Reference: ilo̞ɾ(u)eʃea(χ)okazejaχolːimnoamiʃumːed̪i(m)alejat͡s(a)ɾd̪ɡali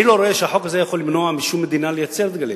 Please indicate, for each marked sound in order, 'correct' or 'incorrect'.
incorrect: o, incorrect: ħ, incorrect: n, incorrect: e

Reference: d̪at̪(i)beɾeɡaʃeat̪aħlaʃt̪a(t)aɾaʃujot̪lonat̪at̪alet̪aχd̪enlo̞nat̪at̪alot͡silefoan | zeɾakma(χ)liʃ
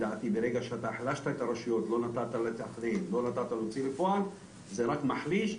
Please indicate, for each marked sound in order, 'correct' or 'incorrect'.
correct, incorrect: k, incorrect: ħ

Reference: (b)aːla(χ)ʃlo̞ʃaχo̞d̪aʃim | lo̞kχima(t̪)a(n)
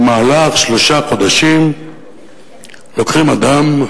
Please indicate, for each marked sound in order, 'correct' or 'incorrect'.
incorrect: m, correct, incorrect: d̪, incorrect: m

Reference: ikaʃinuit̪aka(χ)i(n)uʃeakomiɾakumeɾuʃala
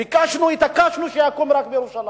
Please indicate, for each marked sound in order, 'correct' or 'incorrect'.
incorrect: ʃ, correct

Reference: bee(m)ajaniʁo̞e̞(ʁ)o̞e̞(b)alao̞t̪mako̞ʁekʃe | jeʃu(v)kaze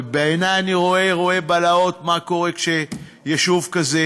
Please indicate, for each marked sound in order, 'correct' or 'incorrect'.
incorrect: n, correct, correct, correct

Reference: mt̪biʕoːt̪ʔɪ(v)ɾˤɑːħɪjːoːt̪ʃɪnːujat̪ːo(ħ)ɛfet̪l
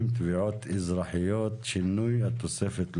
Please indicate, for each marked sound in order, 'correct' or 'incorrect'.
incorrect: z, incorrect: s

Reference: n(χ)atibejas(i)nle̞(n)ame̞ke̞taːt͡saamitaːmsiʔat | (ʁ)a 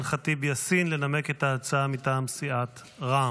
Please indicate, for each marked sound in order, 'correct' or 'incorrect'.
correct, correct, correct, correct

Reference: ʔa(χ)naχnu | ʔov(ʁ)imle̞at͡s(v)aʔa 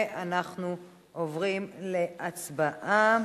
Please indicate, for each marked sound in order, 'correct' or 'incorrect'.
incorrect: none, correct, incorrect: b

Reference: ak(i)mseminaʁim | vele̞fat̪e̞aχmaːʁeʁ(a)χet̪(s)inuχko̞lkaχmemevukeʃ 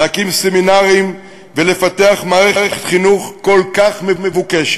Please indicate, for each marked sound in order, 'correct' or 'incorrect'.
correct, incorrect: e, incorrect: χ

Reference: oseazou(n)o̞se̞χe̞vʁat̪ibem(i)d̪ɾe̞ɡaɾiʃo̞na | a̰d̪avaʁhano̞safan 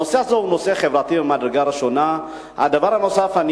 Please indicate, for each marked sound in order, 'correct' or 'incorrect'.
correct, incorrect: a

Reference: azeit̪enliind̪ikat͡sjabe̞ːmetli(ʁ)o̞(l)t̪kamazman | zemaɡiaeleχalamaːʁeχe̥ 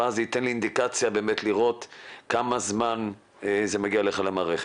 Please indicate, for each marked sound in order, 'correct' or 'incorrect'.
correct, incorrect: none

